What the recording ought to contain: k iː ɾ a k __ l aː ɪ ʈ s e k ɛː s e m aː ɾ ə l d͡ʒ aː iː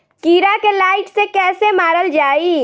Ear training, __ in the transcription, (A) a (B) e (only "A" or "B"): B